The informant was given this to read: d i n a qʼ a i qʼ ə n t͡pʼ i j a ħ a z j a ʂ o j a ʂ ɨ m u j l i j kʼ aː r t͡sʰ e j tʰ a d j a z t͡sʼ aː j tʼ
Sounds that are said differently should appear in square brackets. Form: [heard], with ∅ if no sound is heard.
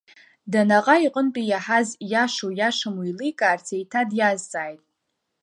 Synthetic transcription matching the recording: d [a] n a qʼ a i qʼ ə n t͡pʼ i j a ħ a z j a ʂ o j a ʂ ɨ m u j l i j kʼ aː r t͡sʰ e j tʰ a d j a z t͡sʼ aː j tʼ